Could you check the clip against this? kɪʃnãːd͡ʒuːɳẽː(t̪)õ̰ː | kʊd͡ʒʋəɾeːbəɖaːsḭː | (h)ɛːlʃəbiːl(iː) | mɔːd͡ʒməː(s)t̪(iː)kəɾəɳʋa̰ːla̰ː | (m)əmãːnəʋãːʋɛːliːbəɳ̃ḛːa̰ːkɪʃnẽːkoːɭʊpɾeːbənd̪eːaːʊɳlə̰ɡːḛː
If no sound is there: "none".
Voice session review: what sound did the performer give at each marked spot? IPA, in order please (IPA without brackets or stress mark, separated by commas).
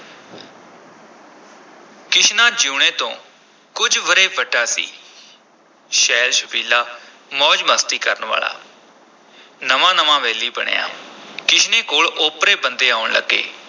t̪, ʃ, aː, s, iː, n